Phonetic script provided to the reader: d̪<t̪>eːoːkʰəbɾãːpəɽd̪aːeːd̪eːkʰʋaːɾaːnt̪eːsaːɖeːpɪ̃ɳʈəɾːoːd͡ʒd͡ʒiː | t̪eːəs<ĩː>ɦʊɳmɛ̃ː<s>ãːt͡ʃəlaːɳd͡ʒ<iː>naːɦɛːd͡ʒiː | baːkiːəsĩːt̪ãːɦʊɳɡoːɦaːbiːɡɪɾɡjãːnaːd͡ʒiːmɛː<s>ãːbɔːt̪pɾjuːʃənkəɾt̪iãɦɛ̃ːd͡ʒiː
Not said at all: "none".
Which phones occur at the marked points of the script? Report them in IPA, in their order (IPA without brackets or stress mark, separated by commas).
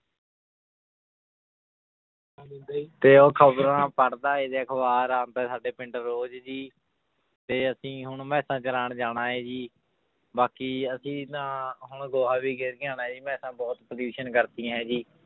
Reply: t̪, ĩː, s, aː, s